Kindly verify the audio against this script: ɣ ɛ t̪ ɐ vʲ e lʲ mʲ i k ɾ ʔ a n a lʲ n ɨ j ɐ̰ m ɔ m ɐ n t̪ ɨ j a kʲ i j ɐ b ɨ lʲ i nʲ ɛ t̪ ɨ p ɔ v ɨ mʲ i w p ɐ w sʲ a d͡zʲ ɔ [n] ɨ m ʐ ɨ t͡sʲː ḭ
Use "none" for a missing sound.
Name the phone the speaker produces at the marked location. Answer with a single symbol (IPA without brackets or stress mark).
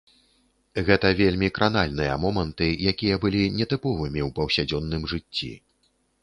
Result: nː